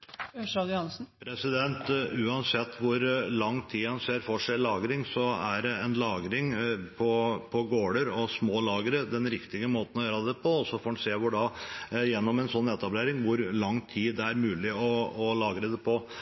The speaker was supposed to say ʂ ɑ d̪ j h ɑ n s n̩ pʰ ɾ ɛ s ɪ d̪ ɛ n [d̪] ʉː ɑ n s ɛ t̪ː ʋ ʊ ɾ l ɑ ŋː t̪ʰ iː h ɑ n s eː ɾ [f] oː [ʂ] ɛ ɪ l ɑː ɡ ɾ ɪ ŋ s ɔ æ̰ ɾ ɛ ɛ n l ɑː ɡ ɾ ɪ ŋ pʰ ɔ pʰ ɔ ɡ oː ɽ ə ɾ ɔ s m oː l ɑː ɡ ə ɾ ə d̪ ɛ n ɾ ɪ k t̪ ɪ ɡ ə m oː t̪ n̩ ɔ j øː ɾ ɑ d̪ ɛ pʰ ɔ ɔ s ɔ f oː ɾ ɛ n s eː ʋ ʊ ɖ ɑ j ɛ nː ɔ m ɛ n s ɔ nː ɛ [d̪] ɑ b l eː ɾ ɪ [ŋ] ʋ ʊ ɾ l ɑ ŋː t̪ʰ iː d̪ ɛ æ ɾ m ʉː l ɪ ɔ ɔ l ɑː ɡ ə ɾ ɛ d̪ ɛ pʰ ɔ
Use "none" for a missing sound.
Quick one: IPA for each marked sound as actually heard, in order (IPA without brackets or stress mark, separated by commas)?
t̪, f, ʂ, t̪, ŋ